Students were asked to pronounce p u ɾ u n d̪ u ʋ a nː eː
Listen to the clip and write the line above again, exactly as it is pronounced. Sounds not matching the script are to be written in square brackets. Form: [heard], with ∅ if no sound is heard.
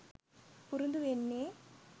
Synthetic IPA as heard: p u ɾ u n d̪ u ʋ [e] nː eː